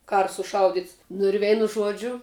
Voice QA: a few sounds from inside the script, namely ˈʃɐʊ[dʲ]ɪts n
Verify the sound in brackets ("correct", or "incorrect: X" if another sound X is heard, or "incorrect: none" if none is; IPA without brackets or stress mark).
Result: correct